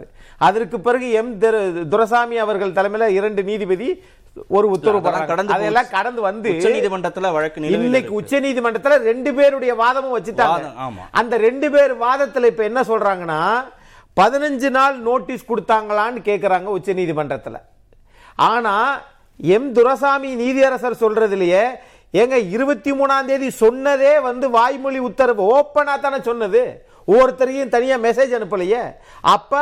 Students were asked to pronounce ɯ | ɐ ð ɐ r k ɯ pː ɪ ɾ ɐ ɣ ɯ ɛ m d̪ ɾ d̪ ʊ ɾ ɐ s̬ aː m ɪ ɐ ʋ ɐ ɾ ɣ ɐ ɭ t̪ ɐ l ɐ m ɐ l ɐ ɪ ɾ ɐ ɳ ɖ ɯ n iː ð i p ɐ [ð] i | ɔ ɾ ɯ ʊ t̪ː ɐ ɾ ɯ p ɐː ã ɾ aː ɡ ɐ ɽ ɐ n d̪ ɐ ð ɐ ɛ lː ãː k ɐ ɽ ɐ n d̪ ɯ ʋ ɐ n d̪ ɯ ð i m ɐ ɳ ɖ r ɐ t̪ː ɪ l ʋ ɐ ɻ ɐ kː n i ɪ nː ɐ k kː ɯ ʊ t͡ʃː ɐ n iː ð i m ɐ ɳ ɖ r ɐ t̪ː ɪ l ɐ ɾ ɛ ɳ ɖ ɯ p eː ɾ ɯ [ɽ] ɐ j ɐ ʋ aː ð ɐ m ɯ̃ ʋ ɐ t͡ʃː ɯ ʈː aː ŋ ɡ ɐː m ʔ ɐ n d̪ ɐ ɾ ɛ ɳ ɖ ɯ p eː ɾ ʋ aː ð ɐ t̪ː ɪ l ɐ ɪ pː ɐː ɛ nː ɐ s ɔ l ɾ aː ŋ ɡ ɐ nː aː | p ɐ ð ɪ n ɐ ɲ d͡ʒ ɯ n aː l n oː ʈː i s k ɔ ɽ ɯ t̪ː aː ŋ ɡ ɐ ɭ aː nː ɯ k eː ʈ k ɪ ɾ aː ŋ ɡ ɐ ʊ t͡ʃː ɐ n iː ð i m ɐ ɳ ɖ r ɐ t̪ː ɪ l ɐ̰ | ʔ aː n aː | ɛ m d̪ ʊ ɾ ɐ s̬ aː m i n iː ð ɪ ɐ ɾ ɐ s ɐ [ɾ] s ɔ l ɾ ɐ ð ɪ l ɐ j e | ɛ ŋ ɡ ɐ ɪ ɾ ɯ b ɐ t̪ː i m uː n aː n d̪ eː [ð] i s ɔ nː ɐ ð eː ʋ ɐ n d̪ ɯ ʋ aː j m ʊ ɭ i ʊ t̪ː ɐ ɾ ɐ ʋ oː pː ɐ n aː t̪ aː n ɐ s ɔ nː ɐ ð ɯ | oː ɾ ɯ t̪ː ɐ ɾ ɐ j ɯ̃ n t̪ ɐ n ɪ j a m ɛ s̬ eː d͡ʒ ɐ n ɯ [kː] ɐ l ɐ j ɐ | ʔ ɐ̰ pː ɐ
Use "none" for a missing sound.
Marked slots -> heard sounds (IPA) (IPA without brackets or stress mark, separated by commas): ð, ɽ, ɾ, ð, pː